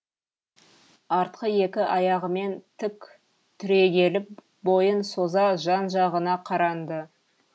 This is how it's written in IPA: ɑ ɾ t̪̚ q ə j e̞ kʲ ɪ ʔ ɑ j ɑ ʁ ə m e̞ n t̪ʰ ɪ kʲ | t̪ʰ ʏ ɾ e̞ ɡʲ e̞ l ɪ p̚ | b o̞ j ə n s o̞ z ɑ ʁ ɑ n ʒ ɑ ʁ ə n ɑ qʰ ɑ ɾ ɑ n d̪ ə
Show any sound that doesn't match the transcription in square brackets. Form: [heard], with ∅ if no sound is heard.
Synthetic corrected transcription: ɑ ɾ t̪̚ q ə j e̞ kʲ ɪ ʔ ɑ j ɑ ʁ ə m e̞ n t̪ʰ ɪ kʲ | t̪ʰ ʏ ɾ e̞ ɡʲ e̞ l ɪ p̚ | b o̞ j ə n s o̞ z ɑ [ʒ] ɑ n ʒ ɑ ʁ ə n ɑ qʰ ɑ ɾ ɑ n d̪ ə